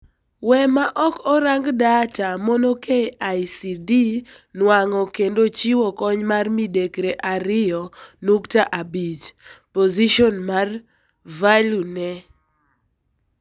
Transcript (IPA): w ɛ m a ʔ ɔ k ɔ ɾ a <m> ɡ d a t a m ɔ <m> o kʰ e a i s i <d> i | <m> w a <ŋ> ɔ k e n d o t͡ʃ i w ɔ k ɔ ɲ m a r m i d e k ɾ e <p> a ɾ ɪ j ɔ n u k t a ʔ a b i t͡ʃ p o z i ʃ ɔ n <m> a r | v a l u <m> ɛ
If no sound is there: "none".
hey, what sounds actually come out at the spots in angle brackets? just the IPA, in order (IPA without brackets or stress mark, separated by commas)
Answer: ŋ, n, d, n, ŋ, ʔ, m, n